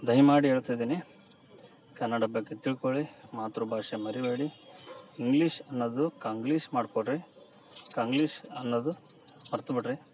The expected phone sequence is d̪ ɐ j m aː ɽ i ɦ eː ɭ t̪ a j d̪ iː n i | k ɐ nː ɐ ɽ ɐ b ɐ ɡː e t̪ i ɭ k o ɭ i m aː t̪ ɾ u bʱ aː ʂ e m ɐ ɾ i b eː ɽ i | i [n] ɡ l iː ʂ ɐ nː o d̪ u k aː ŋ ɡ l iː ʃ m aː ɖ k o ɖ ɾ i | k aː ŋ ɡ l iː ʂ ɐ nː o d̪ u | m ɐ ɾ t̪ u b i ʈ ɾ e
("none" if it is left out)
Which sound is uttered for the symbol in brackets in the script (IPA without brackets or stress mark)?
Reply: ŋ